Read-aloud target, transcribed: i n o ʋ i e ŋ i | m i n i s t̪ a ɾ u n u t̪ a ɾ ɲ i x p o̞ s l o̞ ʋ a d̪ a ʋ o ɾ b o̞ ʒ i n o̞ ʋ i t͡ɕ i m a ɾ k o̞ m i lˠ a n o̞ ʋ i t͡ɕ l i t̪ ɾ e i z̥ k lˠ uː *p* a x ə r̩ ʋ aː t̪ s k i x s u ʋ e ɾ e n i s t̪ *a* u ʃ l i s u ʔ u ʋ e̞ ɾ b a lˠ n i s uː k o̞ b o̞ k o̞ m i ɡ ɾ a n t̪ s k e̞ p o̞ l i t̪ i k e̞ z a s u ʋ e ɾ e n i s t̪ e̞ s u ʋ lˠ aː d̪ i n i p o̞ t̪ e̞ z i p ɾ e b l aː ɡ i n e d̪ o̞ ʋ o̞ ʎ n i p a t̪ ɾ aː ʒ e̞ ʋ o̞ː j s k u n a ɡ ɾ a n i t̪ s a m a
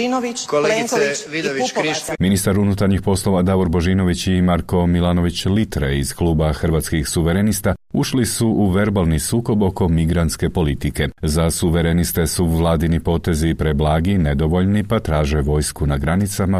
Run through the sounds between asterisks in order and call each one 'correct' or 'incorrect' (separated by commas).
incorrect, correct